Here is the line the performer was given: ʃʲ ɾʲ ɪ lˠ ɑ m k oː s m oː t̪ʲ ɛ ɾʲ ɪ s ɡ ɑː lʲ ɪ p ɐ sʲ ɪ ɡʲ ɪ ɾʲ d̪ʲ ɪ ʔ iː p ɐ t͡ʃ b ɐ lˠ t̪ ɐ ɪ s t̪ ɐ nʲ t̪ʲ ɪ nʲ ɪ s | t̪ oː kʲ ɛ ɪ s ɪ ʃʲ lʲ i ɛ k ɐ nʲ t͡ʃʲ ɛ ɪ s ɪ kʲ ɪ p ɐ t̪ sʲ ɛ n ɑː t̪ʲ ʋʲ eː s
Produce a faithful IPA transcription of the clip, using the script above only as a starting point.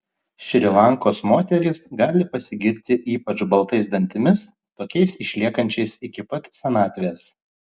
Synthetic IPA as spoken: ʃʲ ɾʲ ɪ lˠ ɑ ŋ k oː s m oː t̪ʲ ɛ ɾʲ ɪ s ɡ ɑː lʲ ɪ p ɐ sʲ ɪ ɡʲ ɪ ɾʲ t̪ʲ ɪ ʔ iː p ɐ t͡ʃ b ɐ lˠ t̪ ɐ ɪ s d̪ ɐ nʲ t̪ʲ ɪ mʲ ɪ s | t̪ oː kʲ ɛ ɪ s ɪ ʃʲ lʲ i ɛ k ɐ nʲ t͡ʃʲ ɛ ɪ s ɪ kʲ ɪ p ɐ t̪ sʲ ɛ n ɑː t̪ʲ ʋʲ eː s